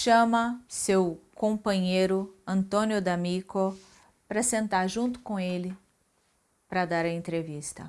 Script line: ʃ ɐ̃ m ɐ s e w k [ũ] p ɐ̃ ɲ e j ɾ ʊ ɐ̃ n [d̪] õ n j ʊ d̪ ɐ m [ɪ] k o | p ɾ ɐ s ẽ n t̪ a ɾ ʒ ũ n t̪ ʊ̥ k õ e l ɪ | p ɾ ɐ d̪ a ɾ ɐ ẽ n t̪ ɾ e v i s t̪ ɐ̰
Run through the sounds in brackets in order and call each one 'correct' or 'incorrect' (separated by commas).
incorrect, incorrect, incorrect